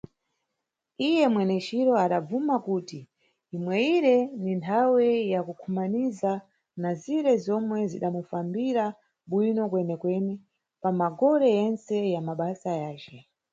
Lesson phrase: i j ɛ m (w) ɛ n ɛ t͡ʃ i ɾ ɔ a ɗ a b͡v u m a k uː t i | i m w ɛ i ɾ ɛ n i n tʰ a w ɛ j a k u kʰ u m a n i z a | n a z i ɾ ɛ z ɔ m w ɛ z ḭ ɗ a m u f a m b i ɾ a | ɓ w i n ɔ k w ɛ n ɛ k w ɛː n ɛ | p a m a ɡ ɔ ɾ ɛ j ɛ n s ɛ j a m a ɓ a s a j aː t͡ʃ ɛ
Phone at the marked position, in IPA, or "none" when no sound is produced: w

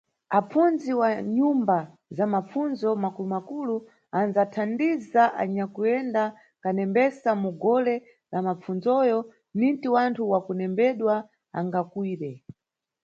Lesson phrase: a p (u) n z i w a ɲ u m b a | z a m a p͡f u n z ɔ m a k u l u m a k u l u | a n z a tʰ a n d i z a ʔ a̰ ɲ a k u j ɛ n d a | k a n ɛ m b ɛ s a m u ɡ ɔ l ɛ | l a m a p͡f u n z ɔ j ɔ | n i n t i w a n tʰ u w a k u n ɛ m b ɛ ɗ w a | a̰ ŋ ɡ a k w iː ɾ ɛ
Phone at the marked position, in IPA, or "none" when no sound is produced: u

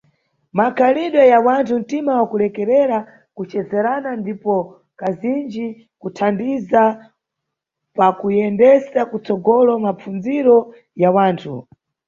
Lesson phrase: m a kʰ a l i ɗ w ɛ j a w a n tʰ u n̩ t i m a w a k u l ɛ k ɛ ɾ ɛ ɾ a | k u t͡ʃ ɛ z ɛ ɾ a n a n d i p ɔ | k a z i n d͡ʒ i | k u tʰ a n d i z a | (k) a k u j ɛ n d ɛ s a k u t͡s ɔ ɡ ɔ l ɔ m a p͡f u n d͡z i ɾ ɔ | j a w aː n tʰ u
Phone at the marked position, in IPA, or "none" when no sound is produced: p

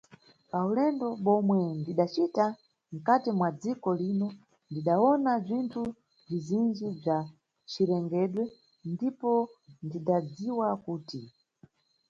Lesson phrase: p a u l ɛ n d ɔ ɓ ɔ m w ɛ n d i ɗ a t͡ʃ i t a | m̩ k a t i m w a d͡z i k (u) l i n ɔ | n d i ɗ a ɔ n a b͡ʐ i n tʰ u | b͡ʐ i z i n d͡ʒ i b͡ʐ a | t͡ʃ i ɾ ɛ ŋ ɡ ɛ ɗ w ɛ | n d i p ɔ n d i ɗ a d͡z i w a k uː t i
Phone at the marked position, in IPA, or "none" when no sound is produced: ɔ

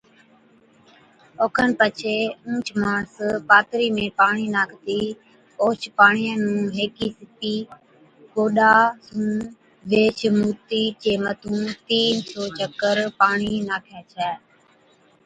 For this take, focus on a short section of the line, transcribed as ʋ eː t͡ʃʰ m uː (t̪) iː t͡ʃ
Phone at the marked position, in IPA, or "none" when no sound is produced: t̪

